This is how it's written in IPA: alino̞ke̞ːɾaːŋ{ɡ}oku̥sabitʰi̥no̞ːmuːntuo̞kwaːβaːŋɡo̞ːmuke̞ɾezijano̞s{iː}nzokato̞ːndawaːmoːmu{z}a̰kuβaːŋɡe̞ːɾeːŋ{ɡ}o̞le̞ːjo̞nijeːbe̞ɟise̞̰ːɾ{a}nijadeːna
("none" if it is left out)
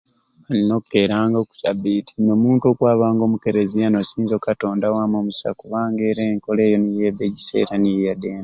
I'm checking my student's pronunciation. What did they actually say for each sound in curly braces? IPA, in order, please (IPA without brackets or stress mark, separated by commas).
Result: ɡ, iː, s, k, a